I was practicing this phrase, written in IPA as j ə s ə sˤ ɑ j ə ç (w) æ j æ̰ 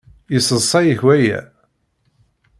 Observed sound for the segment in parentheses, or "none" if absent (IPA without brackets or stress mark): w